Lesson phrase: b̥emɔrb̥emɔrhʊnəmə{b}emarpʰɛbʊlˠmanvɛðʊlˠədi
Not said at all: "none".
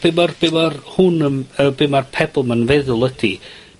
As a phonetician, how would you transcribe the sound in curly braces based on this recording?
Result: b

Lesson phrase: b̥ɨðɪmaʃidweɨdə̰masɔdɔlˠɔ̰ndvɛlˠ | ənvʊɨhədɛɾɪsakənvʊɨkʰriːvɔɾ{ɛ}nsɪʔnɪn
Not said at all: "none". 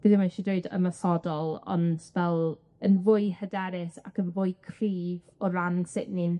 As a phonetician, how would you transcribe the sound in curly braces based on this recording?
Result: a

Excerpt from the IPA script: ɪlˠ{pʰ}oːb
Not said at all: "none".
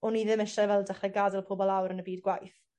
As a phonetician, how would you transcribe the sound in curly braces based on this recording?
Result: pʰ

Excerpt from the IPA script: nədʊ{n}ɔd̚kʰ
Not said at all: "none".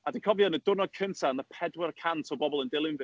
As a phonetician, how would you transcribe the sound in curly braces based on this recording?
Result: n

